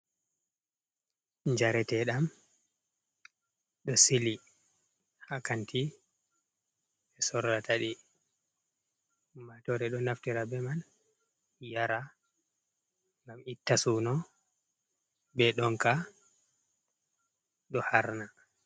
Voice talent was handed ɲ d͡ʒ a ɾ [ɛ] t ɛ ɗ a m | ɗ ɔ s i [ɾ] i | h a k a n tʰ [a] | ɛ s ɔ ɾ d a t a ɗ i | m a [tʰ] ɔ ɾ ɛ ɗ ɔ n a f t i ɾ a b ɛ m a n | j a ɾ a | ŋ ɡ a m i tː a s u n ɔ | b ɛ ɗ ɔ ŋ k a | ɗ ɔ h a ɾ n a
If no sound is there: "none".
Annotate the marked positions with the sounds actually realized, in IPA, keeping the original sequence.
ɛ, l, i, t

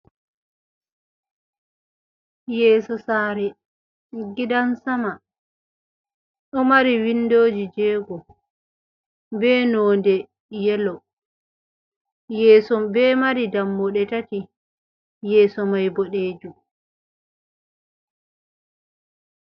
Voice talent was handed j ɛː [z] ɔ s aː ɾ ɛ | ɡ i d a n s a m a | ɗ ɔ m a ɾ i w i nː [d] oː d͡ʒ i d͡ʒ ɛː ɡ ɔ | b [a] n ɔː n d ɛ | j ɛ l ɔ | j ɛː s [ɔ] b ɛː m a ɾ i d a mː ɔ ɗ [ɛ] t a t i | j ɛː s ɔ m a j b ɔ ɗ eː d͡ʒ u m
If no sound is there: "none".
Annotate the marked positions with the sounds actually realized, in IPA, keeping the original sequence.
s, d, ɛ, ɔ, ɛ

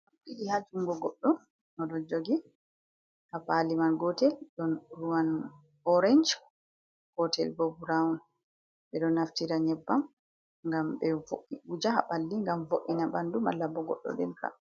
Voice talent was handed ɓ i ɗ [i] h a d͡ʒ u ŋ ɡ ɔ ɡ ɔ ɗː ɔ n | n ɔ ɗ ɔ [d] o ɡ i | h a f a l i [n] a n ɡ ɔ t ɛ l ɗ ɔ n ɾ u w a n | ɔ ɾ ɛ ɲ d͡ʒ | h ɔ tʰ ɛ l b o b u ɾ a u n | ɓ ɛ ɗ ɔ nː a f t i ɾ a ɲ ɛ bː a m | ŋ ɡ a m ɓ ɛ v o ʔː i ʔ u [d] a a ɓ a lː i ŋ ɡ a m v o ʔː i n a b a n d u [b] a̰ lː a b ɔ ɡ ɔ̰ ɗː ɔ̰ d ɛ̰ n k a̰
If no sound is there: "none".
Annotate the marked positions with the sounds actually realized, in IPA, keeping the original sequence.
i, d͡ʒ, m, d͡ʒ, m

